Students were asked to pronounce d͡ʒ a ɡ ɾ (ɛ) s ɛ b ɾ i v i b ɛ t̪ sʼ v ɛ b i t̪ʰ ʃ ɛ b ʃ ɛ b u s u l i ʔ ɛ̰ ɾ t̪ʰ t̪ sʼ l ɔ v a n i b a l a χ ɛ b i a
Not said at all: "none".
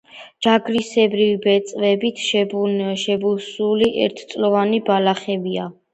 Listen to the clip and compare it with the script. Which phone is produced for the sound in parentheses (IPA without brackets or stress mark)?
i